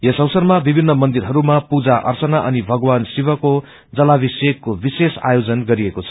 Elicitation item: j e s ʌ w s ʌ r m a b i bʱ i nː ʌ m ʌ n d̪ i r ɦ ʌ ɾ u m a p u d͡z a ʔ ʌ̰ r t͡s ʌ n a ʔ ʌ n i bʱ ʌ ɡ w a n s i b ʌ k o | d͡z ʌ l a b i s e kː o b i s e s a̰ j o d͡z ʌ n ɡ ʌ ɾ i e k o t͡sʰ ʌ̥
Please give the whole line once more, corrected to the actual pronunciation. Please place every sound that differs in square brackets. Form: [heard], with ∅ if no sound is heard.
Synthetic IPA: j e s ʌ w s ʌ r m a b i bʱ i nː ʌ m ʌ n d̪ i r ɦ ʌ ɾ u m a p u d͡z a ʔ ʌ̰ r t͡s ʌ n a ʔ ʌ n i bʱ ʌ ɡ w a n s i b ʌ k o | d͡z ʌ l a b i s e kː o b i s e s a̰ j o d͡z ʌ n ɡ ʌ ɾ i e k o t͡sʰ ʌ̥